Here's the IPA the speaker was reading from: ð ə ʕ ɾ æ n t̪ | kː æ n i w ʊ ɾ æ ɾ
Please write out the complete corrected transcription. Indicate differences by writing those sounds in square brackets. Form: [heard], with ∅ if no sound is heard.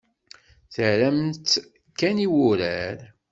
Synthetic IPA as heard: [θ] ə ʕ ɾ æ [m] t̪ | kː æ n i w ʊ ɾ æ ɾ